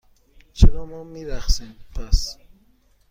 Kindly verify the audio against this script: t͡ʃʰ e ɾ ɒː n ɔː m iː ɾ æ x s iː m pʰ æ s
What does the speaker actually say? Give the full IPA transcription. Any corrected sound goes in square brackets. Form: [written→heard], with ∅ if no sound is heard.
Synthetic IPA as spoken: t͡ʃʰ e ɾ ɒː [n→m] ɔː m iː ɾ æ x s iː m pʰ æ s

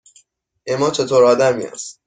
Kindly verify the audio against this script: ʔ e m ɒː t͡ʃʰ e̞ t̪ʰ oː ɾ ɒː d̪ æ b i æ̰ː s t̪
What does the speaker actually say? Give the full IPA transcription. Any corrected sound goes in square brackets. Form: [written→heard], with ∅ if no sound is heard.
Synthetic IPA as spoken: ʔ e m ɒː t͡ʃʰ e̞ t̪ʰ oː ɾ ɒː d̪ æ [b→m] i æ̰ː s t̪

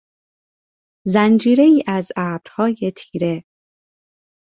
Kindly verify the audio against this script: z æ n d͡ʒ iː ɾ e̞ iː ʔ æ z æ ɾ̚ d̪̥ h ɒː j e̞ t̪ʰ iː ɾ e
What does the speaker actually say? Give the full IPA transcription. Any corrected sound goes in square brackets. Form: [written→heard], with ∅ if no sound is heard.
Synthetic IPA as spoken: z æ n d͡ʒ iː ɾ e̞ iː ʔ æ z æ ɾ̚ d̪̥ h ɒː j e̞ t̪ʰ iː ɾ e

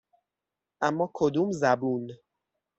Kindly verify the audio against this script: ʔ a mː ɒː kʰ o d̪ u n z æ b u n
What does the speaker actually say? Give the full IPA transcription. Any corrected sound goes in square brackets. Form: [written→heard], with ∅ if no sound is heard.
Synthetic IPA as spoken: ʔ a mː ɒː kʰ o d̪ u [n→m] z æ b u n

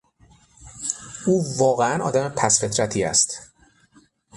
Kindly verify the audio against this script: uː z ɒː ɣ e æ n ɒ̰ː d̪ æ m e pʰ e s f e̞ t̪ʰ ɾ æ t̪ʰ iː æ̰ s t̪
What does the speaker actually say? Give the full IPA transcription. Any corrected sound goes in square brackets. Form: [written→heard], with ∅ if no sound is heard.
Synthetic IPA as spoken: uː [z→v] ɒː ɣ e æ n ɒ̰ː d̪ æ m e pʰ [e→æ] s f e̞ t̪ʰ ɾ æ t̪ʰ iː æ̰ s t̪

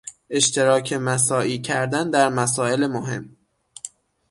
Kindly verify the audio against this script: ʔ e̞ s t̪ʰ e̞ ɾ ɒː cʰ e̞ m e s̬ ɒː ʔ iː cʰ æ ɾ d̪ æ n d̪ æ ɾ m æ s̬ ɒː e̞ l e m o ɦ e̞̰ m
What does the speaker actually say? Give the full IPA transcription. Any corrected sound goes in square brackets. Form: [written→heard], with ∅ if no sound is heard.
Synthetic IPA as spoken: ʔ e̞ [s→ʃ] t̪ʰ e̞ ɾ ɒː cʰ e̞ m [e→æ] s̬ ɒː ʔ iː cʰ æ ɾ d̪ æ n d̪ æ ɾ m æ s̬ ɒː e̞ l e m o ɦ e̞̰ m

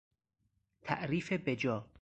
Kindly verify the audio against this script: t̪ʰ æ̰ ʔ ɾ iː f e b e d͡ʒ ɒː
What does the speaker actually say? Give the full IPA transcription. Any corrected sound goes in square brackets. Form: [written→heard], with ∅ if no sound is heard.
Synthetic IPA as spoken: t̪ʰ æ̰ ʔ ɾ iː f e b e d͡ʒ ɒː

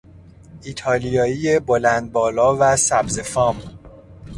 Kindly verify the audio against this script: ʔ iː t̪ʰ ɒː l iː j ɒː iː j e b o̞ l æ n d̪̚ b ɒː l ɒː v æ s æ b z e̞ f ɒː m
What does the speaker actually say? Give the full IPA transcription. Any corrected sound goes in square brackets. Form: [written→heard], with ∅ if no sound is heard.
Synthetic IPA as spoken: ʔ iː t̪ʰ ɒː l [iː→i] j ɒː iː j e b o̞ l æ n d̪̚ b ɒː l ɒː v æ s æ b z e̞ f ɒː m

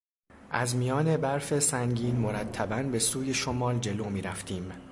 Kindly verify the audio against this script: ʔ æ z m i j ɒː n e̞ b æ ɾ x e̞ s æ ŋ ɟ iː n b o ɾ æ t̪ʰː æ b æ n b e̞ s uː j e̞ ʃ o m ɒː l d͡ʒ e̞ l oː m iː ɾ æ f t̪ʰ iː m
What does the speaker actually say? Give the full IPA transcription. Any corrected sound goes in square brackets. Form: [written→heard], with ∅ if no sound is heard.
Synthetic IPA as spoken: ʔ æ z m i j ɒː n e̞ b æ ɾ [x→f] e̞ s æ ŋ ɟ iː n [b→m] o ɾ æ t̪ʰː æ b æ n b e̞ s uː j e̞ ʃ o m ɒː l d͡ʒ e̞ l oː m iː ɾ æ f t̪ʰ iː m

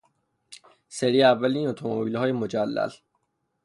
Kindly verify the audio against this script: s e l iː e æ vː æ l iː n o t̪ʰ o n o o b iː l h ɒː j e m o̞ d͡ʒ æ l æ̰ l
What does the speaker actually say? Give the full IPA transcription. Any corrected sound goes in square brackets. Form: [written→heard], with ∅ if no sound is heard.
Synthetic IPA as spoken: s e [l→ɾ] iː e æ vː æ l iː n o t̪ʰ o [n→m] o o b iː l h ɒː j e m o̞ d͡ʒ æ [l→lː] æ̰ l

